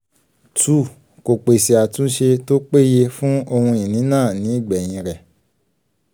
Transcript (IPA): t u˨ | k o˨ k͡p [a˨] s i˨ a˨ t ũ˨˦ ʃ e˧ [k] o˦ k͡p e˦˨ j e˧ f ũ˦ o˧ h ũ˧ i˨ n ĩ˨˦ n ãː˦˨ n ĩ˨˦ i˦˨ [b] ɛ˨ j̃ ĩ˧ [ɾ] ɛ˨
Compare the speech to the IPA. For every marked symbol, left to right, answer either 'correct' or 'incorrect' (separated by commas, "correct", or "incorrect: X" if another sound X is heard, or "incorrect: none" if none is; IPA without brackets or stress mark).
incorrect: e˨, incorrect: t, incorrect: ɡ͡b, correct